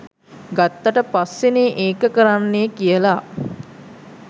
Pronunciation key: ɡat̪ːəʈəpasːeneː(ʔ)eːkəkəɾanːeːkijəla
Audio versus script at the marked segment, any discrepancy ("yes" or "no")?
no